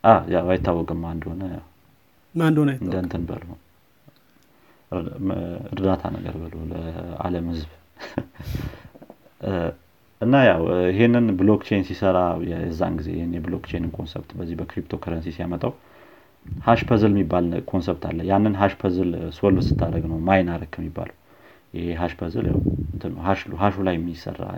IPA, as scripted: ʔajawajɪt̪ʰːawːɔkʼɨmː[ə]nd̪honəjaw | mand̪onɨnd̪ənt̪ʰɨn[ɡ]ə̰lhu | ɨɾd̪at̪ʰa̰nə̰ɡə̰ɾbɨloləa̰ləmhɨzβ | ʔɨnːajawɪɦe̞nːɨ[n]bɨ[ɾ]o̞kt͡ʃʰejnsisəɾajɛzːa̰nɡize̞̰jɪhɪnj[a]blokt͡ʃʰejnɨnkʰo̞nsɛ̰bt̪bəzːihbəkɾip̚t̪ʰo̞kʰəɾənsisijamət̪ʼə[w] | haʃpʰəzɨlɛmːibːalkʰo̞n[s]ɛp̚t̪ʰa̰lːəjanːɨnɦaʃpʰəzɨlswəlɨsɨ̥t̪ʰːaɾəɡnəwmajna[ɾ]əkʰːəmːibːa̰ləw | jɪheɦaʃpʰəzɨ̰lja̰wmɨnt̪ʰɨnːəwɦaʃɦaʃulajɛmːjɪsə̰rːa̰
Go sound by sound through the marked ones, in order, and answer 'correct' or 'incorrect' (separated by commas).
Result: incorrect, incorrect, correct, incorrect, incorrect, correct, correct, correct